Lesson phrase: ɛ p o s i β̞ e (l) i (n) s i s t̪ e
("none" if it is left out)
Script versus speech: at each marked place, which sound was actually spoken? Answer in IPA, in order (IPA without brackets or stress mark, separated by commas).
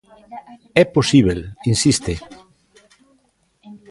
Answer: l, n